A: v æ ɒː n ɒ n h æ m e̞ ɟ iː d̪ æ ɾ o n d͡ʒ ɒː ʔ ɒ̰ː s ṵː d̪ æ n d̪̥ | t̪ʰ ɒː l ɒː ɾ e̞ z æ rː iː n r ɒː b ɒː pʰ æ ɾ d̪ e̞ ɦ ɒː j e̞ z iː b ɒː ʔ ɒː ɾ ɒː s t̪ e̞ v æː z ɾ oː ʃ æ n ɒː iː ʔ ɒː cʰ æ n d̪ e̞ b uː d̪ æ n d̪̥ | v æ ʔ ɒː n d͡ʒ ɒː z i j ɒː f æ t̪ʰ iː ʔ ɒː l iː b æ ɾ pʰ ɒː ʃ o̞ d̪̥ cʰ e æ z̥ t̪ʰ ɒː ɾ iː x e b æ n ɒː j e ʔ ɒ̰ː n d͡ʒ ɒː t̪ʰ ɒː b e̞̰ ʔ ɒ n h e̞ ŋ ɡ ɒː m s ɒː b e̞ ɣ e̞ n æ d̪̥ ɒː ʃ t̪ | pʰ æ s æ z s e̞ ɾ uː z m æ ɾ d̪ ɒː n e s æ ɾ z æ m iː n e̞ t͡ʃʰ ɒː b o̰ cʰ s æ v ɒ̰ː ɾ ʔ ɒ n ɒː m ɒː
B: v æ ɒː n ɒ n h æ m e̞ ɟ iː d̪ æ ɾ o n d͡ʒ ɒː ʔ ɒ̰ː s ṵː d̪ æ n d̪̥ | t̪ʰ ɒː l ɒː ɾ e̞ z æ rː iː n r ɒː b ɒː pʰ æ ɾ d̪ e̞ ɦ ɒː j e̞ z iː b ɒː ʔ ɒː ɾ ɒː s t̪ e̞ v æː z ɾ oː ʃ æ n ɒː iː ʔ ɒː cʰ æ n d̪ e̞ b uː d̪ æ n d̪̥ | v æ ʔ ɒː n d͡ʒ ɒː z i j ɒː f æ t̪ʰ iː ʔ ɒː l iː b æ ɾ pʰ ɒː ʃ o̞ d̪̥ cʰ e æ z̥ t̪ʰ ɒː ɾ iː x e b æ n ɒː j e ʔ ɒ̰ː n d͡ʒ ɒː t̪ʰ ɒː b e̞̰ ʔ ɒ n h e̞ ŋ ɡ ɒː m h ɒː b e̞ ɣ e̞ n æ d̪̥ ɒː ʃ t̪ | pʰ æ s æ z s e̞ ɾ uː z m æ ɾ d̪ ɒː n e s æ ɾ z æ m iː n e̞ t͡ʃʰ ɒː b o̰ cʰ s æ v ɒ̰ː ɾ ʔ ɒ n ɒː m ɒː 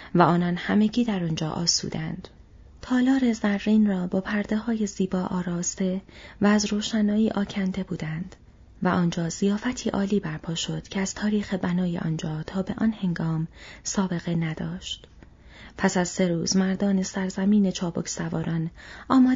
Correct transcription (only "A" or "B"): A